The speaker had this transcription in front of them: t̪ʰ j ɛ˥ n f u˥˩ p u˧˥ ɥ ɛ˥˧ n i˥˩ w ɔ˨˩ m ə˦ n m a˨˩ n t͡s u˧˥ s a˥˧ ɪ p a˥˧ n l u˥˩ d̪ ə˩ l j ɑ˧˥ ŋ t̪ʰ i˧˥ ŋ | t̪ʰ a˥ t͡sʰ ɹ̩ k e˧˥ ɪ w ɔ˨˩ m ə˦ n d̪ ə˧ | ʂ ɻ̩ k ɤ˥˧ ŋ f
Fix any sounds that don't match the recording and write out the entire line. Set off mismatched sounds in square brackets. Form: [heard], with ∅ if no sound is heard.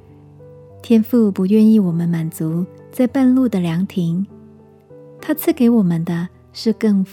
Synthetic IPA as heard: t̪ʰ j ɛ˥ n f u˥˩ p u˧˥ ɥ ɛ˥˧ n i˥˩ w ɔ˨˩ m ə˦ n m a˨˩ n t͡s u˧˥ [t͡s] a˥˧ ɪ p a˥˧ n l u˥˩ d̪ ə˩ l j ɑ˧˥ ŋ t̪ʰ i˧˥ ŋ | t̪ʰ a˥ t͡sʰ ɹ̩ k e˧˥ ɪ w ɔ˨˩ m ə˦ n d̪ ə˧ | ʂ ɻ̩ k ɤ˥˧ ŋ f